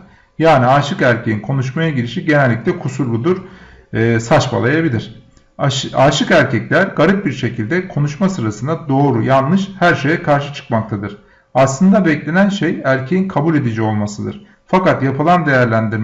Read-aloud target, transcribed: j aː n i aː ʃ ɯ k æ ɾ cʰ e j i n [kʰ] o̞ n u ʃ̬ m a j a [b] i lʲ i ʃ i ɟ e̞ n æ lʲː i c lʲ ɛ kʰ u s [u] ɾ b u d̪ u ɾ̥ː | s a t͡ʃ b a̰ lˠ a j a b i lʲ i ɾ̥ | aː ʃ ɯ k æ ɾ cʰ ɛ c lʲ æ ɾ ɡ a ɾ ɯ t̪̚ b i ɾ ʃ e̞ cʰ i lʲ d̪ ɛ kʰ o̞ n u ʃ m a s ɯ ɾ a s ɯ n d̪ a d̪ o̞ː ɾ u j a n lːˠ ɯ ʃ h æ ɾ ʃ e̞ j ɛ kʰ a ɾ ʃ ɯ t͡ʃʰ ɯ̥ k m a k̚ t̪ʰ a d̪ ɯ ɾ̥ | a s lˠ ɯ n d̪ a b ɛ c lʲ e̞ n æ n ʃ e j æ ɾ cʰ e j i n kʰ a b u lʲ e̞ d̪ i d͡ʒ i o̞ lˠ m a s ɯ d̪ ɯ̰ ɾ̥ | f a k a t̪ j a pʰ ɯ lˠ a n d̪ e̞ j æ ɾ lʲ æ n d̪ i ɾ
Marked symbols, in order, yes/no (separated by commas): yes, no, yes